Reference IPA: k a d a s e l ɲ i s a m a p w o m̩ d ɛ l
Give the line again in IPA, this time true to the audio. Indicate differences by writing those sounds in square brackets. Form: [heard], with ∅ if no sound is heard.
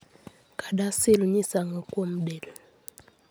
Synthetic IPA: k a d a s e l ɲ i s a [ŋ] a [k] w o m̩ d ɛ l